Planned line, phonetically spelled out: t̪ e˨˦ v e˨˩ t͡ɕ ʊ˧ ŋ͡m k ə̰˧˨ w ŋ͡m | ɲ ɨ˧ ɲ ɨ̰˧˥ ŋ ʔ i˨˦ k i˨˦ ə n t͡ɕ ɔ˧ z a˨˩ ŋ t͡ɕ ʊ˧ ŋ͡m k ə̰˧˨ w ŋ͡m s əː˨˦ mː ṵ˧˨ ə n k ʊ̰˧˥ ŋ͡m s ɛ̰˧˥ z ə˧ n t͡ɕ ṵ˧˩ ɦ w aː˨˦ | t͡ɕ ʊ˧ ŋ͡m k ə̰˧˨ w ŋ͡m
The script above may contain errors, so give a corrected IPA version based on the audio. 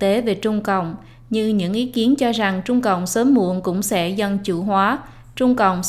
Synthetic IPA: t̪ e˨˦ v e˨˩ t͡ɕ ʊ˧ ŋ͡m k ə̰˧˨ w ŋ͡m | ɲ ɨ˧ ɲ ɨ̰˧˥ ŋ ʔ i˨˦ k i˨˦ ə n t͡ɕ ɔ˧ z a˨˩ ŋ t͡ɕ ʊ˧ ŋ͡m k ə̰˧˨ w ŋ͡m s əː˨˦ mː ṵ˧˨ ə n k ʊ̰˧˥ ŋ͡m s ɛ̰˧˥ z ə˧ n t͡ɕ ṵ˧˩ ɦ w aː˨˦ | t͡ɕ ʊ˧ ŋ͡m k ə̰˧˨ w ŋ͡m